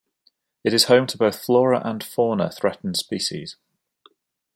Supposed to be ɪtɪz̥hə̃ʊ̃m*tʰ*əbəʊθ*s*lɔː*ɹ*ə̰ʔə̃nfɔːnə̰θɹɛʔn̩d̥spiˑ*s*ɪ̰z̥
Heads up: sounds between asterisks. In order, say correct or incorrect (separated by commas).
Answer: correct, incorrect, correct, incorrect